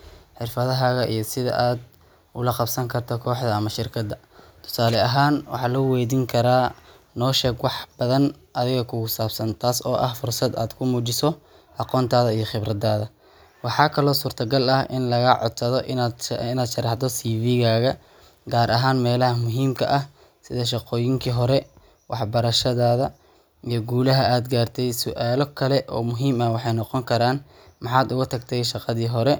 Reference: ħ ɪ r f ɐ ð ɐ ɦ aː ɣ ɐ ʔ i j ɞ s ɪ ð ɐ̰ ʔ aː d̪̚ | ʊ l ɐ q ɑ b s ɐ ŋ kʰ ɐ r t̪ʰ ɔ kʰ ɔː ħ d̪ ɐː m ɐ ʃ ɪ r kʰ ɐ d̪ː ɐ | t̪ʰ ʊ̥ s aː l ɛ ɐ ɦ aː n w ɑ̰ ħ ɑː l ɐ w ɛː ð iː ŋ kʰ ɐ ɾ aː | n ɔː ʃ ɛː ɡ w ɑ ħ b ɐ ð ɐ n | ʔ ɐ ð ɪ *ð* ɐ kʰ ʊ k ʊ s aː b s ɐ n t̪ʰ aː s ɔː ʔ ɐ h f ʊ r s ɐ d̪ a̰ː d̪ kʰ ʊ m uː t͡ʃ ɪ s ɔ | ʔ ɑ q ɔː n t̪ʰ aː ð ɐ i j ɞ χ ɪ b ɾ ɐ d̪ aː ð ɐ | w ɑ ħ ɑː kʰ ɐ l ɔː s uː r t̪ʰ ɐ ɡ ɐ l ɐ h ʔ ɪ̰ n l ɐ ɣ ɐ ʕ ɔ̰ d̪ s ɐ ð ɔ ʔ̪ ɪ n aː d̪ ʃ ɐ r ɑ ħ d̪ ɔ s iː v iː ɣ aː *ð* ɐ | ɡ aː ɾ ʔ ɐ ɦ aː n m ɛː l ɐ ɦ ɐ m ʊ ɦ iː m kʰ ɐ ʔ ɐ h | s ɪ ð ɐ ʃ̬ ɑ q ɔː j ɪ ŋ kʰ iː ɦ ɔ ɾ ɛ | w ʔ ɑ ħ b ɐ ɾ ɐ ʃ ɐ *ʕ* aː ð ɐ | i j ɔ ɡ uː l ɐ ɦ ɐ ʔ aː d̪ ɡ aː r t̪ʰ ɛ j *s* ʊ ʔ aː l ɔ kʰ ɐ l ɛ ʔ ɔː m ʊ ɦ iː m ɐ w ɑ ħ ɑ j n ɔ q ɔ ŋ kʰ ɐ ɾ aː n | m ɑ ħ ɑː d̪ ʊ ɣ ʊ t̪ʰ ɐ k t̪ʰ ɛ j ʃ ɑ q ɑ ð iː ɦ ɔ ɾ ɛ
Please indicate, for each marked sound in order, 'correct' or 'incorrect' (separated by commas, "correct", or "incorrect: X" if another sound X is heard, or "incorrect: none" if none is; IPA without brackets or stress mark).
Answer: incorrect: ɣ, incorrect: ɣ, incorrect: ð, correct